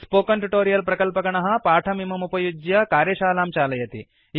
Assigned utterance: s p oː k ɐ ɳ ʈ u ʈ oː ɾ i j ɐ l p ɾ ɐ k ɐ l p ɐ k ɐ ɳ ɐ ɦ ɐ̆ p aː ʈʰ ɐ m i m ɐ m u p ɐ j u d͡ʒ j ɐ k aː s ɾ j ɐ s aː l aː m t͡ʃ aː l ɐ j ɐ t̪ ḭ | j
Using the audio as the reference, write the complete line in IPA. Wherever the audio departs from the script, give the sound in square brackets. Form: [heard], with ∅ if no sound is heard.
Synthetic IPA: s p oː k ɐ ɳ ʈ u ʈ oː ɾ i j ɐ l p ɾ ɐ k ɐ l p ɐ k ɐ ɳ ɐ ɦ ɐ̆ p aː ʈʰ ɐ m i m ɐ m u p ɐ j u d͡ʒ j ɐ k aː [∅] ɾ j ɐ [ʃ] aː l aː m t͡ʃ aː l ɐ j ɐ t̪ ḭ | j